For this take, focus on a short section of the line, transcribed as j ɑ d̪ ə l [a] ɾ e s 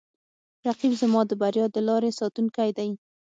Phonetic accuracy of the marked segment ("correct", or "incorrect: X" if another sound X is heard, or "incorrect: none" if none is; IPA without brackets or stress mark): incorrect: ɑ